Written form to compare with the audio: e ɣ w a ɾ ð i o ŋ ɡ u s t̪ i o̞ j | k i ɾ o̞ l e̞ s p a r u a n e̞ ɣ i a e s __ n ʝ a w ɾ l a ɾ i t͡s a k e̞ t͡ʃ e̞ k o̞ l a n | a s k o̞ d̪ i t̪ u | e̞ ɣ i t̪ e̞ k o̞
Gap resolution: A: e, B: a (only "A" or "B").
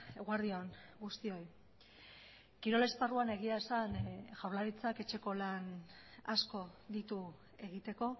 B